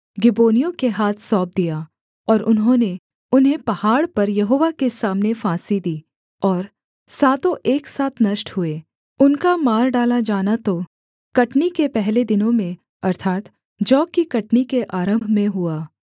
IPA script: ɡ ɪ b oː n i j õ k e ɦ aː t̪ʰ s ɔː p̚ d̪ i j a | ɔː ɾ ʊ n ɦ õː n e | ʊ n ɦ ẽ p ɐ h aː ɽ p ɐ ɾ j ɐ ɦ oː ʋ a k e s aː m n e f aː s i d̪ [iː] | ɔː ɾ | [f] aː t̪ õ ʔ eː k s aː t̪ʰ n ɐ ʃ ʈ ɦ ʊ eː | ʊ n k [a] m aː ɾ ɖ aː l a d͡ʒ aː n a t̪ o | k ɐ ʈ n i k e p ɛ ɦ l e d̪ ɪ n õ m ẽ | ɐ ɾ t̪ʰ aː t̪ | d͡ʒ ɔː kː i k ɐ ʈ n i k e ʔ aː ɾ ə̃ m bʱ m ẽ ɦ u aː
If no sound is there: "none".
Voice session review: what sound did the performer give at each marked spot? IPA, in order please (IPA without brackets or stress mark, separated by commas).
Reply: iː, s, a